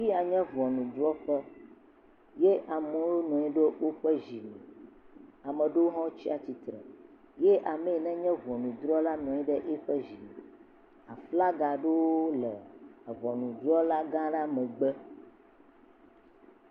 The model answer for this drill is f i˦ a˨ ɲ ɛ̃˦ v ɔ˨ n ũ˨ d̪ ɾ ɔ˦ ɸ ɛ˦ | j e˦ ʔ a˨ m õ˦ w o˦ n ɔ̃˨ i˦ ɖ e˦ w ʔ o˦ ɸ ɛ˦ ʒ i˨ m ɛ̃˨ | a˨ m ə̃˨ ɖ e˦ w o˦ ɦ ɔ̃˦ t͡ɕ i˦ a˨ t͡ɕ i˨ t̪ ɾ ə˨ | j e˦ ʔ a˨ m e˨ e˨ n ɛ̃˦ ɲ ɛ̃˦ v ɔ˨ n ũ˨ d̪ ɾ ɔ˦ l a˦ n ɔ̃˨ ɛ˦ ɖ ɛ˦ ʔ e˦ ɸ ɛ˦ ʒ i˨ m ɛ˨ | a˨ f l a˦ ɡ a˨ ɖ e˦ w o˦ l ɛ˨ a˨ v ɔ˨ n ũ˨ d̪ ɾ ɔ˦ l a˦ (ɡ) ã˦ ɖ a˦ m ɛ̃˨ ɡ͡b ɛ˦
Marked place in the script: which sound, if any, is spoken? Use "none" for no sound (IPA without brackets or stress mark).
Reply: ɡ